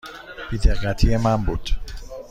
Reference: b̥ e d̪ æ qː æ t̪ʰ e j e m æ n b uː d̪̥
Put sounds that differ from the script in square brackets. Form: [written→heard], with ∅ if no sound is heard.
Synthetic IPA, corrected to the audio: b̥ [e→i] d̪ [æ→e] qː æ t̪ʰ [e→i] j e m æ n b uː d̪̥